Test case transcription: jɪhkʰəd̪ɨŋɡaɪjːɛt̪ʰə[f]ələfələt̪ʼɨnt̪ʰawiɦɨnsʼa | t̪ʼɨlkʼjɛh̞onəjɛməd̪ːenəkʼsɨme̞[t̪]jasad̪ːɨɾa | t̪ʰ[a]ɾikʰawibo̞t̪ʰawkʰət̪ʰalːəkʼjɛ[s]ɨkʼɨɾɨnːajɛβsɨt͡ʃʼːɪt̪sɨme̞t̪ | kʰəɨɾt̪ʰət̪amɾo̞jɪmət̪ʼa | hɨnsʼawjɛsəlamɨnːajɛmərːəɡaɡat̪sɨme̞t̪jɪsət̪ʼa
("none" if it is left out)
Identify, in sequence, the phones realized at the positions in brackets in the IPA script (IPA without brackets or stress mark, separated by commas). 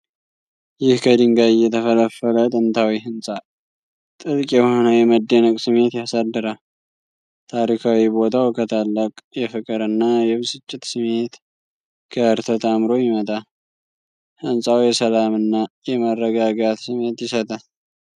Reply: f, t̪, a, f